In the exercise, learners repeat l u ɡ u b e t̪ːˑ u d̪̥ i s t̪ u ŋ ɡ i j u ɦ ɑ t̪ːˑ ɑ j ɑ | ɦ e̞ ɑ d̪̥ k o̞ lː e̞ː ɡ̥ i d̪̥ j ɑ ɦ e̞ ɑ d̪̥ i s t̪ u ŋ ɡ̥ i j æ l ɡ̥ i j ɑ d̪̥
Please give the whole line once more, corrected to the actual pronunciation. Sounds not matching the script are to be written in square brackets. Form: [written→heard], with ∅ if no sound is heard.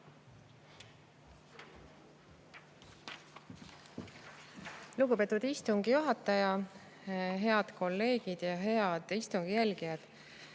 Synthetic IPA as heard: l u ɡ u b e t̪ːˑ u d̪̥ i s t̪ u ŋ ɡ i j u ɦ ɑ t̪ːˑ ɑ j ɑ | ɦ e̞ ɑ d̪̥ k o̞ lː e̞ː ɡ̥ i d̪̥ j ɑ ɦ e̞ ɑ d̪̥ i s t̪ u ŋ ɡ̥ i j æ l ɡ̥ i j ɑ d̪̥